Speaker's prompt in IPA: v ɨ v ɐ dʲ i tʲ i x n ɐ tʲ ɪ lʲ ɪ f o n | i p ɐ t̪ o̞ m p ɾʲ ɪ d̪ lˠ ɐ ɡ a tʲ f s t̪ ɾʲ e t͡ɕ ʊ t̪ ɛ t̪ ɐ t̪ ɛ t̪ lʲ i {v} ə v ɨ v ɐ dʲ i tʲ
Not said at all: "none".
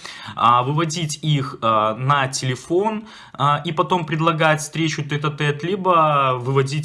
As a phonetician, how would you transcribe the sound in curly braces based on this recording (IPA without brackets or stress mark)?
b